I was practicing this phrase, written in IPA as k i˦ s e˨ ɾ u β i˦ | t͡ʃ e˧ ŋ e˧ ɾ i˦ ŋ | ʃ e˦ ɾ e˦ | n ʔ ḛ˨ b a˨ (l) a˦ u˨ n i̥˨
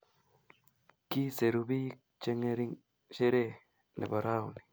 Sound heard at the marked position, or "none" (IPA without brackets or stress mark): ɾ